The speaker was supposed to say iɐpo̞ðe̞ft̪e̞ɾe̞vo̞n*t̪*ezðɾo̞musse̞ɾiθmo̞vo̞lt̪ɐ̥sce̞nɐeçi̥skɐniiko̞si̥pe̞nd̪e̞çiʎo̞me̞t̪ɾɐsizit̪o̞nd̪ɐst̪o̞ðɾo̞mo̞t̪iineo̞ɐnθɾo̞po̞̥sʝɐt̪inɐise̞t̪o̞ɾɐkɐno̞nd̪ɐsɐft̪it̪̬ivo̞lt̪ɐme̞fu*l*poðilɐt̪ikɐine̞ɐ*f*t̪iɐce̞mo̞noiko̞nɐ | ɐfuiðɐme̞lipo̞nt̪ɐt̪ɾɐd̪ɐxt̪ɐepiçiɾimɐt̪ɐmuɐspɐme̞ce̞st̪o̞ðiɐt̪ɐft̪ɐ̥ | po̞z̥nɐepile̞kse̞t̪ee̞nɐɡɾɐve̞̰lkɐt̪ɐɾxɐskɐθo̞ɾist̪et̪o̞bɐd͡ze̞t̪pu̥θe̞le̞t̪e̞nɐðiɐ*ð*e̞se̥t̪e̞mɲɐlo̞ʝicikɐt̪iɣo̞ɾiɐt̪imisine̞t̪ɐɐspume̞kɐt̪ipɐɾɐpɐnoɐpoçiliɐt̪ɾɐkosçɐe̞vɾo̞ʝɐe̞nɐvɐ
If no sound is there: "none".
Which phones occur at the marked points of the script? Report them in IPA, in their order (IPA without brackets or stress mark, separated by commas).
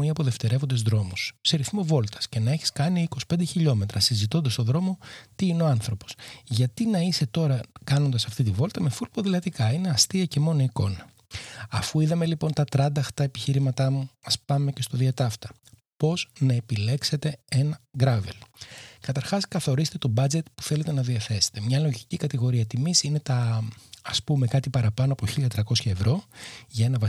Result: d̪, l, s, θ